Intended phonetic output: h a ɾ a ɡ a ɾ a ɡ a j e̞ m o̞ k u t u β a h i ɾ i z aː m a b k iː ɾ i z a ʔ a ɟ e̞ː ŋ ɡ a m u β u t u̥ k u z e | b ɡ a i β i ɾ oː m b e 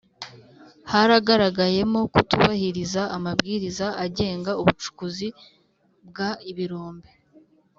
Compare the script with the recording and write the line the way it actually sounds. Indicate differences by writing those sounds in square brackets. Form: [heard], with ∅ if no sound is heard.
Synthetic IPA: h a ɾ a ɡ a ɾ a ɡ a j e̞ m o̞ k u t u β a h i ɾ i z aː m a b [ɡ] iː ɾ i z a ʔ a ɟ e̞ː ŋ ɡ a [∅] u β u [t͡ʃ] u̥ k u z [i] | b ɡ a i β i ɾ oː m b e